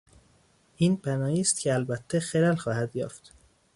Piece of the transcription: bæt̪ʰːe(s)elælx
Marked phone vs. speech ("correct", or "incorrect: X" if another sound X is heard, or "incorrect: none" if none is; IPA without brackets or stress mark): incorrect: x